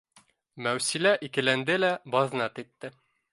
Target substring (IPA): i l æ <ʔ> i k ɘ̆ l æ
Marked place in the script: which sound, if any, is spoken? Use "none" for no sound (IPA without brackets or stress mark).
ʔ